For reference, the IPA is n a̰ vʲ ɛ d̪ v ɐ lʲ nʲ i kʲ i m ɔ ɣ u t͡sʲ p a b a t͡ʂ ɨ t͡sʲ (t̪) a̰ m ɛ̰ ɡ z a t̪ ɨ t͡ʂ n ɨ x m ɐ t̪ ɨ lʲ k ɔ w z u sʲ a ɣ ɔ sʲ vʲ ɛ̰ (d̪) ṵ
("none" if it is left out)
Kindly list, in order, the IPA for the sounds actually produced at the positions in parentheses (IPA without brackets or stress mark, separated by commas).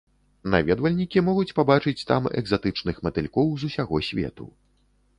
t̪, t̪